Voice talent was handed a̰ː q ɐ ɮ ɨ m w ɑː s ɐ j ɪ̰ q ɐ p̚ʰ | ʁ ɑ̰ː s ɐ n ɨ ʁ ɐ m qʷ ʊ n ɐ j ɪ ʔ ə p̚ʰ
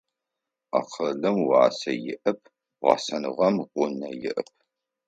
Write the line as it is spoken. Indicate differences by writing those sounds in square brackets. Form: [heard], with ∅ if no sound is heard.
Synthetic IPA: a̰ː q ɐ ɮ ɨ m w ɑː s ɐ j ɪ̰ [ʔ] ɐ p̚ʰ | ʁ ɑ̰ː s ɐ n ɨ ʁ ɐ m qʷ ʊ n ɐ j ɪ ʔ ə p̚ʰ